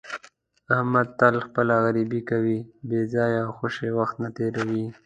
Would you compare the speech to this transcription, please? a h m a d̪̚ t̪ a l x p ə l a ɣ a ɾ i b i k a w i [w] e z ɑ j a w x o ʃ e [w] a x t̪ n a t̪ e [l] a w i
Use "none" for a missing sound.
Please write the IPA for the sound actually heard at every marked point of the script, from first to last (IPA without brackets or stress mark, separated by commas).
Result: b, w, ɾ